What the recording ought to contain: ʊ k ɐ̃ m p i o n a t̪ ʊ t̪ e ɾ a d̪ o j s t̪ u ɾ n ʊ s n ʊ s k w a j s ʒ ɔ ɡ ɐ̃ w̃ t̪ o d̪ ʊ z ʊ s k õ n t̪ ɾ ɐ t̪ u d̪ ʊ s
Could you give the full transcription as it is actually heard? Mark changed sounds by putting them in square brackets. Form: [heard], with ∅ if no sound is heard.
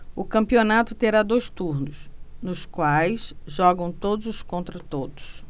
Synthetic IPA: ʊ k ɐ̃ m p i o n a t̪ ʊ t̪ e ɾ a d̪ o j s t̪ u ɾ n ʊ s n ʊ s k w a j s ʒ ɔ ɡ ɐ̃ w̃ t̪ o d̪ ʊ z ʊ s k õ n t̪ ɾ ɐ t̪ [o] d̪ ʊ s